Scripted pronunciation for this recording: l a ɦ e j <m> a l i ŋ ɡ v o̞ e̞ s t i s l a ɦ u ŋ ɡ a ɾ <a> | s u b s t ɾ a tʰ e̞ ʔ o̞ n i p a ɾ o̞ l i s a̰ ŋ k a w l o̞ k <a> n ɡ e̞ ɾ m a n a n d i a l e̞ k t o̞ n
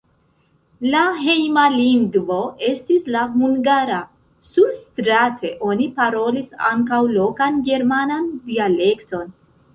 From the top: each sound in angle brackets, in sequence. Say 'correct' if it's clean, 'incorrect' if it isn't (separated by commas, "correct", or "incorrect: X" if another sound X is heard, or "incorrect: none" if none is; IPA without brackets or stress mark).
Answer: correct, correct, correct